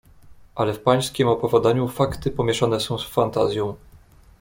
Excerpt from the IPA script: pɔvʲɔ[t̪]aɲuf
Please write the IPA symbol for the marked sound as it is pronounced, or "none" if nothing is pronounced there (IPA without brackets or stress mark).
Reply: d̪